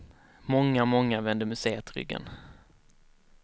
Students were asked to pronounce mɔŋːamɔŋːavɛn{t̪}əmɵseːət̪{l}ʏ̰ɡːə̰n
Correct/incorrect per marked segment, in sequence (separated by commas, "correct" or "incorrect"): incorrect, incorrect